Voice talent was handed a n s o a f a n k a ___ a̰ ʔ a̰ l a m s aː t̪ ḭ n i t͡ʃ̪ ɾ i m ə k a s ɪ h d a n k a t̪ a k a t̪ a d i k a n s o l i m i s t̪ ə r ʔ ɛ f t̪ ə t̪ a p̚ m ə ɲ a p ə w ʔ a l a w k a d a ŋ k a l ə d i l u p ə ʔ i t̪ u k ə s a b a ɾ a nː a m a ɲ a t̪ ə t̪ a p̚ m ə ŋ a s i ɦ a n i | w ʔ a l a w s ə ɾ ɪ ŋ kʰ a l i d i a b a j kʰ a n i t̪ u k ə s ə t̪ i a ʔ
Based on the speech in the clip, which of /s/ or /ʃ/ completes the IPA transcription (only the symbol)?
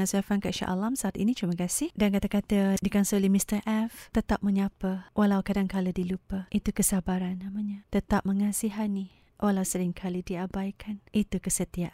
ʃ